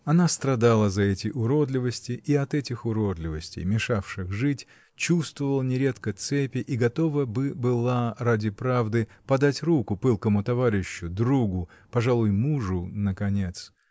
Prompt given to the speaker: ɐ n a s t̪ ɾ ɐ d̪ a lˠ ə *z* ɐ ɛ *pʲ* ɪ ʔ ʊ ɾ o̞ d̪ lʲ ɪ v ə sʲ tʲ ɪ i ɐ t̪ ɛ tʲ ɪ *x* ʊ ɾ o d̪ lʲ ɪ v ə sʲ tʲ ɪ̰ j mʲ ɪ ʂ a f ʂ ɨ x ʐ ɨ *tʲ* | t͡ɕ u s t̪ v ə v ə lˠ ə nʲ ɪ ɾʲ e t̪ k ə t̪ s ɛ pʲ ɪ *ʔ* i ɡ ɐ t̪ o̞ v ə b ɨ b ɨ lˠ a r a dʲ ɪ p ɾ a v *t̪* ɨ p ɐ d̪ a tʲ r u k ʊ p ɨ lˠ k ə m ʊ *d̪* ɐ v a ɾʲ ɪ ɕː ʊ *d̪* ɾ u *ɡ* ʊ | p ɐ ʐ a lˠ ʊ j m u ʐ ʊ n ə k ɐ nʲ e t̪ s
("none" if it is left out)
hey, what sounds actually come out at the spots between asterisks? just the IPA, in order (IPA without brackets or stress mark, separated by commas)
z, tʲ, x, tʲ, ʔ, d̪, t̪, d̪, ɡ